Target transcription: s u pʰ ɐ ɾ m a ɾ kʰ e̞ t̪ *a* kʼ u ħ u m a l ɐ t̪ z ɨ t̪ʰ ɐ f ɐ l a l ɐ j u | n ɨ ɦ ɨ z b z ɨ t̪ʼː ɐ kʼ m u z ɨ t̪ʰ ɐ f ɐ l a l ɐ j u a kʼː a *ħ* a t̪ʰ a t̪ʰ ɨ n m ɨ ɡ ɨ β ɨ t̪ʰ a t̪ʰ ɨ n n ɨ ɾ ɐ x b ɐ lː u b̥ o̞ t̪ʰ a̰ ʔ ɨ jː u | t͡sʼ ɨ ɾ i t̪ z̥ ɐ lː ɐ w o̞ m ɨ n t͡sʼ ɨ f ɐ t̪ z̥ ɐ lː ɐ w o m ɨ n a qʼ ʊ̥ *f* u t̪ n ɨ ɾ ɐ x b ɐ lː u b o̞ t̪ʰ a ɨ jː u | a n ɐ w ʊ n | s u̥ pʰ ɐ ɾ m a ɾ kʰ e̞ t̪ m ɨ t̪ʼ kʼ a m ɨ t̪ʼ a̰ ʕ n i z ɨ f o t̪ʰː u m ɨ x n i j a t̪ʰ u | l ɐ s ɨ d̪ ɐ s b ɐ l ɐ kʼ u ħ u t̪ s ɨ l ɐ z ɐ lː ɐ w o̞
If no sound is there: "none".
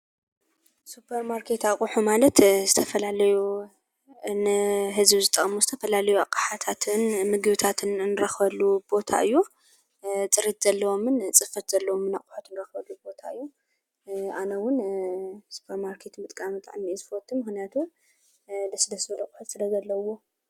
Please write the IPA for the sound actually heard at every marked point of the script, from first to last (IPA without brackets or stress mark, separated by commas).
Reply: a, ħ, ħ